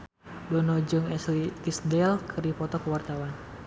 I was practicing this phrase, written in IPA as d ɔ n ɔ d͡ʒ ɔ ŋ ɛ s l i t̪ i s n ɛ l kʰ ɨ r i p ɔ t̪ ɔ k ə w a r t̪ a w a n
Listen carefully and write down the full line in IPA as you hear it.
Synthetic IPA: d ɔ n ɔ d͡ʒ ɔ ŋ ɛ s l i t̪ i s d ɛ l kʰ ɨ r i p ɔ t̪ ɔ k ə w a r t̪ a w a n